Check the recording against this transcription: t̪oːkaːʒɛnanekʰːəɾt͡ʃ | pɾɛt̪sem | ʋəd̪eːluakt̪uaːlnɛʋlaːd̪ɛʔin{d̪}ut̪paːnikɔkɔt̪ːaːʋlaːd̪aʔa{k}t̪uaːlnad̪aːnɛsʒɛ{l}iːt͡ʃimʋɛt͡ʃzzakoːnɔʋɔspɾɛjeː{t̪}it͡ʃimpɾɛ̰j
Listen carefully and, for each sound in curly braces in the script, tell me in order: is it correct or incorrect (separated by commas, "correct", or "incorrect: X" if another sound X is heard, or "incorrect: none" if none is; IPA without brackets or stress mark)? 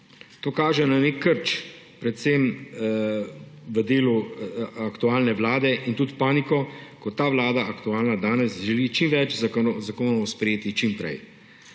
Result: incorrect: t̪, correct, correct, correct